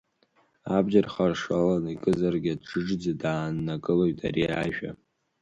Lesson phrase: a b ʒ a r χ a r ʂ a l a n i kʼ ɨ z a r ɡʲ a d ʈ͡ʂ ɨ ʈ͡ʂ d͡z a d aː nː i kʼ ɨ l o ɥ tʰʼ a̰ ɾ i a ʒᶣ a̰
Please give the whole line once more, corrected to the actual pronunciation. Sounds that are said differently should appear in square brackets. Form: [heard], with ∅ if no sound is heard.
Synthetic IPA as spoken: a b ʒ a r χ a r ʂ a l a n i kʼ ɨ z a r ɡʲ a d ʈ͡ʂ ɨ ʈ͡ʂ d͡z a d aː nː [a] kʼ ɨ l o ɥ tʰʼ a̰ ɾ i a ʒᶣ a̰